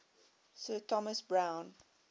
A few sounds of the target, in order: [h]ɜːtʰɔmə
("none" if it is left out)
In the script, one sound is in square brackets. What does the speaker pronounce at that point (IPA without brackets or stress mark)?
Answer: s